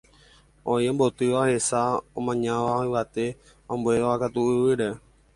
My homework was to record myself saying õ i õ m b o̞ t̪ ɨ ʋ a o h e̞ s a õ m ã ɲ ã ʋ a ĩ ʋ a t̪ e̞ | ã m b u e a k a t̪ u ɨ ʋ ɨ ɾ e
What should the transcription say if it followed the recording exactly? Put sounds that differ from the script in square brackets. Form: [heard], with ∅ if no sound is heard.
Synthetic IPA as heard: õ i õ m b o̞ t̪ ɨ ʋ a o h e̞ s a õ m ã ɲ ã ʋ a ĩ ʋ a t̪ e̞ | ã m b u e a k a t̪ u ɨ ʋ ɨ ɾ e